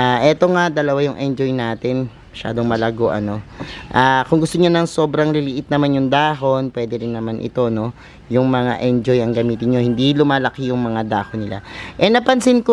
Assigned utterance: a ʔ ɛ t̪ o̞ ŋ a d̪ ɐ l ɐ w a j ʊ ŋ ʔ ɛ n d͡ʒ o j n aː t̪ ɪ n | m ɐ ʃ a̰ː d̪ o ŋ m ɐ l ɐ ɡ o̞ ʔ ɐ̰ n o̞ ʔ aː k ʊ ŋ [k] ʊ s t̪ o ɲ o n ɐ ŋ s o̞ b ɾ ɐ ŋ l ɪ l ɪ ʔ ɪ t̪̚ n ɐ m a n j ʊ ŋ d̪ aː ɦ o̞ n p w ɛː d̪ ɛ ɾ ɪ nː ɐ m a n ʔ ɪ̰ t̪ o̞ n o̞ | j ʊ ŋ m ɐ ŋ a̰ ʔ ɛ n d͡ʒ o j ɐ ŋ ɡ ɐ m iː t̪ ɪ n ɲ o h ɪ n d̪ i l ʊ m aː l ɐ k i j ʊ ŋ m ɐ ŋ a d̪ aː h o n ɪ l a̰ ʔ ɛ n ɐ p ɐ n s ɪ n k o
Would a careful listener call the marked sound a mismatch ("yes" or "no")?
yes